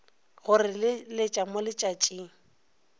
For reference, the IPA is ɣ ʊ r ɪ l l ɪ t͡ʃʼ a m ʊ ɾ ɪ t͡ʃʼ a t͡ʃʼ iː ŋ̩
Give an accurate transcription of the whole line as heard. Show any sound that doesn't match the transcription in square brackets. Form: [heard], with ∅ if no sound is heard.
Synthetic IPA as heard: ɣ ʊ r ɪ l l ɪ t͡ʃʼ a m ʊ [l] ɪ t͡ʃʼ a t͡ʃʼ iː ŋ̩